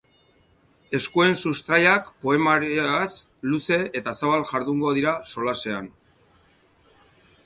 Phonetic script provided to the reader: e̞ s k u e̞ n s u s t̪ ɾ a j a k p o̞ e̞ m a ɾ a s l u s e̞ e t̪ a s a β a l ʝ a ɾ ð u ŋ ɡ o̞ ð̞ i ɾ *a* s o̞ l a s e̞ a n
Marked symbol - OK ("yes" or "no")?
yes